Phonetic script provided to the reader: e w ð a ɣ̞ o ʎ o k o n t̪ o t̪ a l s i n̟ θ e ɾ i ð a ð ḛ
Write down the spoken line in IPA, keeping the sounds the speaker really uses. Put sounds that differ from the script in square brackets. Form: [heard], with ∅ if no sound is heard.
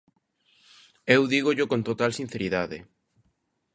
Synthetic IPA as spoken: e w ð [i] ɣ̞ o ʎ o k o n t̪ o t̪ a l s i n̟ θ e ɾ i ð a ð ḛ